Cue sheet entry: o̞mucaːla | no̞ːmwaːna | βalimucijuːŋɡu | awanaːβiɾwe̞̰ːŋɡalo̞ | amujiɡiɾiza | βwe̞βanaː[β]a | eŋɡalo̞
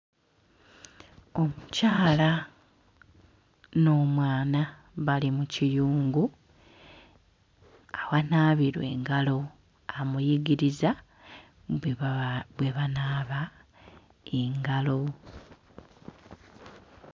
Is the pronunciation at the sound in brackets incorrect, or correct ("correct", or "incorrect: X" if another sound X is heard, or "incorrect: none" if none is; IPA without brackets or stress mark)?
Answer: correct